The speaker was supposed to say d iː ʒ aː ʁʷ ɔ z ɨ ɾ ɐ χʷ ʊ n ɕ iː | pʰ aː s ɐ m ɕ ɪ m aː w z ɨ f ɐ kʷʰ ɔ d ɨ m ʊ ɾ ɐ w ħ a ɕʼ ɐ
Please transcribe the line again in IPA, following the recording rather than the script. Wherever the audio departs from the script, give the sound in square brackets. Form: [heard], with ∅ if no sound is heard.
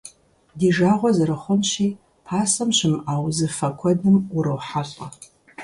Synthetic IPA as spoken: d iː ʒ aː ʁʷ ɔ z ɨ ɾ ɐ χʷ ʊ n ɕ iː | pʰ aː s ɐ m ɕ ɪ m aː w z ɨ f ɐ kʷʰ ɔ d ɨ m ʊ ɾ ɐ w ħ a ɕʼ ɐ